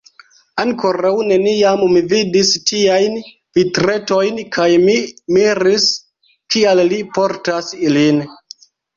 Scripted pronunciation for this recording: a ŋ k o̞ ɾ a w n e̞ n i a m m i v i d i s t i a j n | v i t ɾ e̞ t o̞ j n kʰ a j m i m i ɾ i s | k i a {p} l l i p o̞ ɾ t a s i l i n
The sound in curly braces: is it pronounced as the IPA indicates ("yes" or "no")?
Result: no